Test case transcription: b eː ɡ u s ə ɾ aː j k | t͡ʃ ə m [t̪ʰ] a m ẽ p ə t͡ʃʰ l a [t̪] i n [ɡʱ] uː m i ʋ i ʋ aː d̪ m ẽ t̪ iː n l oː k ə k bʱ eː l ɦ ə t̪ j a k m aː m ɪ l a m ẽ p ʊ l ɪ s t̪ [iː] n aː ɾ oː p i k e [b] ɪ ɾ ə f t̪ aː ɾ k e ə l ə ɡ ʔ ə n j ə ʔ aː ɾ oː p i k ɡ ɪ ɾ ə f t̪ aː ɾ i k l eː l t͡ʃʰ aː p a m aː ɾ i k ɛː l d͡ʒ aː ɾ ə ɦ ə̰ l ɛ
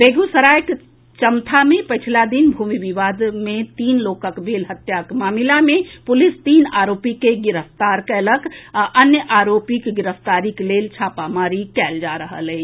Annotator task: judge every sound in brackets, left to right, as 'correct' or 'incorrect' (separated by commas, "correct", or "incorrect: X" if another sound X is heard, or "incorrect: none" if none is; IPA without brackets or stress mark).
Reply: correct, incorrect: d̪, incorrect: bʱ, correct, incorrect: ɡ